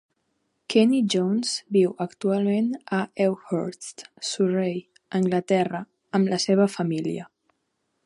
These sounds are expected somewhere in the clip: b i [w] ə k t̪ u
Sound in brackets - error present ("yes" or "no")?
no